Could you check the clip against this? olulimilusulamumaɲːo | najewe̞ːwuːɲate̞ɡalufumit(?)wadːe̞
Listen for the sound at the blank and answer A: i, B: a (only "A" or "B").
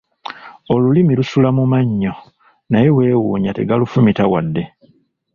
B